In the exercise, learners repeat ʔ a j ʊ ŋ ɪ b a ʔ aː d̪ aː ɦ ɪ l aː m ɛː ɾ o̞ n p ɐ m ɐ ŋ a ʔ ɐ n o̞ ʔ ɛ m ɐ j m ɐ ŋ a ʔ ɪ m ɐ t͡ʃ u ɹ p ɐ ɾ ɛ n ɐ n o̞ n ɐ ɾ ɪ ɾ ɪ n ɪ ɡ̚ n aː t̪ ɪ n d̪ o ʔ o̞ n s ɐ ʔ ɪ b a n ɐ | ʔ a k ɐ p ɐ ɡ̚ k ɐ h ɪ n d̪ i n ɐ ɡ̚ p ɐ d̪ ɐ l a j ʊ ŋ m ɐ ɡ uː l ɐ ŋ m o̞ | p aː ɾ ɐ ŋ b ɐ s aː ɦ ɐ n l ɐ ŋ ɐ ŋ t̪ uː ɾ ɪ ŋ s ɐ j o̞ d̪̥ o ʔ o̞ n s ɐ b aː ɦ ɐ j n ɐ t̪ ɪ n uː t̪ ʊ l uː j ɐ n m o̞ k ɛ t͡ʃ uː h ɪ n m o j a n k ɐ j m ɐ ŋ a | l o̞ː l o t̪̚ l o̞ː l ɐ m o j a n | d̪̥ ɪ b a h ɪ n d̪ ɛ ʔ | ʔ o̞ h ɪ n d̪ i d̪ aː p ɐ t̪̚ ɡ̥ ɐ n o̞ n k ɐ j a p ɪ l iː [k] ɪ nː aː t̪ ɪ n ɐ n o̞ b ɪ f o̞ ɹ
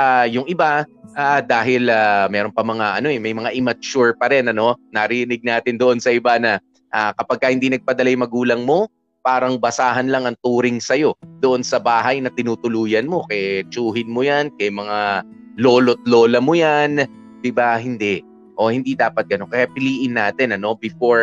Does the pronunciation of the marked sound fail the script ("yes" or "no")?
yes